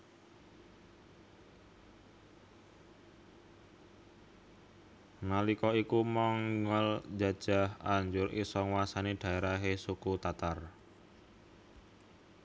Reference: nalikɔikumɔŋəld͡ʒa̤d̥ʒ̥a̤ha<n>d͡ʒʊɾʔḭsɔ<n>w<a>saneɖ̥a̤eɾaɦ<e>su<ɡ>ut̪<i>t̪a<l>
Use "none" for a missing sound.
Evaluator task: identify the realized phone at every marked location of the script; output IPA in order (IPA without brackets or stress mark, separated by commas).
ɲ, ŋ, a, e, k, a, r